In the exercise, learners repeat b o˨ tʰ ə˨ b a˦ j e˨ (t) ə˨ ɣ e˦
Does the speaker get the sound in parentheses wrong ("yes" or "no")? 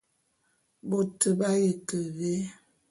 yes